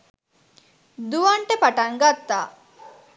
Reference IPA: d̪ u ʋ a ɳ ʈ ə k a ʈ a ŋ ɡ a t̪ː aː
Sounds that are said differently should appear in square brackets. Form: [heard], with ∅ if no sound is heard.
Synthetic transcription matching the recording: d̪ u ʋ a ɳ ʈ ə [p] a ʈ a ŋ ɡ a t̪ː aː